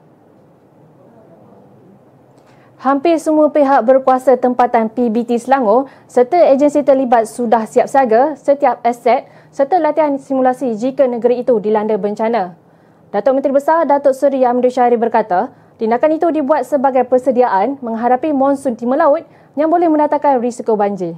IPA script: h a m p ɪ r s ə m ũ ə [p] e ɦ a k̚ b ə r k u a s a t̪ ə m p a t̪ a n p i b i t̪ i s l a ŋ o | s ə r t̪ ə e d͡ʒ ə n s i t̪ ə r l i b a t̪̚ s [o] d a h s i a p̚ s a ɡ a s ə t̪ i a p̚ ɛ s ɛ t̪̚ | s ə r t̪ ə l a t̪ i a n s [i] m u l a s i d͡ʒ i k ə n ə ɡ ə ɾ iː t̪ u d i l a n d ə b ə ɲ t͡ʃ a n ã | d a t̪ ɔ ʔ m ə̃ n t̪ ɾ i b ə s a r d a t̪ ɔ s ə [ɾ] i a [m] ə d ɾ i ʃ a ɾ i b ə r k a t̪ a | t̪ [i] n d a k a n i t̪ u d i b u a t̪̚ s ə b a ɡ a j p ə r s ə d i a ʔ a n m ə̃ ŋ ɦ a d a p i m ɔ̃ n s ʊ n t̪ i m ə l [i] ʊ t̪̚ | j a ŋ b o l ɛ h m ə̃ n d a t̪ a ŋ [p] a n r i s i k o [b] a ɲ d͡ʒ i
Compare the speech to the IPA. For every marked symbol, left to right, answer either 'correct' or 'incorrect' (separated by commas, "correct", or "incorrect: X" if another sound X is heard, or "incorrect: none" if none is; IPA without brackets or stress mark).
correct, incorrect: u, correct, correct, correct, correct, incorrect: a, incorrect: k, correct